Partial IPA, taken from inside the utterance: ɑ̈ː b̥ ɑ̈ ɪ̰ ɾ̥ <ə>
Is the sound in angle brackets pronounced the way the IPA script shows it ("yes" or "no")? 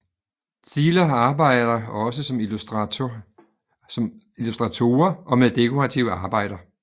no